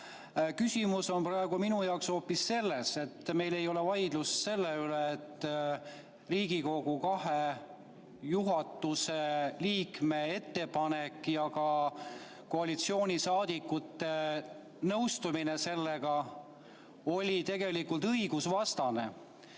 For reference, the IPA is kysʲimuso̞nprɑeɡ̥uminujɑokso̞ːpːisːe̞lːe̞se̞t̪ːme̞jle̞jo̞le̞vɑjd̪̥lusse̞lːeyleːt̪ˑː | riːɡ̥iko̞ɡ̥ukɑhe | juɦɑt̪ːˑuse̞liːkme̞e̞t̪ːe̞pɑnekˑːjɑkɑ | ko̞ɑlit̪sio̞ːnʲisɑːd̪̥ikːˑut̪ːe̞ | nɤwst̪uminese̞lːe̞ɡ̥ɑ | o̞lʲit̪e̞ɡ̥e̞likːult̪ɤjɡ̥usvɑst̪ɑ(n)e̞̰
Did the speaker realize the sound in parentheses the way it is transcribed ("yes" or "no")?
yes